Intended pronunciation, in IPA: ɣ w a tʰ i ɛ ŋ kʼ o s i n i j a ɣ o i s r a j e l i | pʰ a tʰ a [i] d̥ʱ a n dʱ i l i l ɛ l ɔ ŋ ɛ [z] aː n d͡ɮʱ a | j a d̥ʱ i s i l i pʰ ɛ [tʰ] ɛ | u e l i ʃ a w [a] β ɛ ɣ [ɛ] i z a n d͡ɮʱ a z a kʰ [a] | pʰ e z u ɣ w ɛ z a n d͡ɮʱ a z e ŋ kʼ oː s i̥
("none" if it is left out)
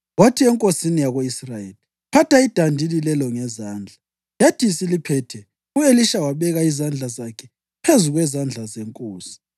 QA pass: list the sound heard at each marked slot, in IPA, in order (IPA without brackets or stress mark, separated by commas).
i, z, tʰ, a, a, ɛ